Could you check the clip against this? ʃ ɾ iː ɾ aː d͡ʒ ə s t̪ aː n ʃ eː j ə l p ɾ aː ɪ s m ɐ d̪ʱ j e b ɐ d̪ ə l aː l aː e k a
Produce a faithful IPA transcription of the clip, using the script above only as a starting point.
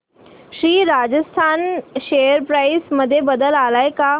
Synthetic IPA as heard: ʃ ɾ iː ɾ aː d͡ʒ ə s t̪ʰ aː n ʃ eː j ə ɾ p ɾ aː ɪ s m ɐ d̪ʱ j e b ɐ d̪ ə l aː l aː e k a